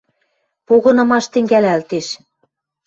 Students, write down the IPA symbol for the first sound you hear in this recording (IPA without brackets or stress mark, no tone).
p